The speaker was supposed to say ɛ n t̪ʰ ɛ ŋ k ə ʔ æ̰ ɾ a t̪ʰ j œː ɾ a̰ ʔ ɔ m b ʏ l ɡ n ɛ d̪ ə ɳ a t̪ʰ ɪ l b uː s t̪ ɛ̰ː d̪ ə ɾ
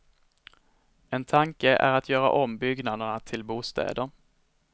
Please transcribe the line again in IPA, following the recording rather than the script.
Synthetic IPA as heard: ɛ n t̪ʰ a ŋ k ə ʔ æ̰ ɾ a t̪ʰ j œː ɾ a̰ ʔ ɔ m b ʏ ɡ n a d̪ ə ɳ a t̪ʰ ɪ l b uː s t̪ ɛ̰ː d̪ ə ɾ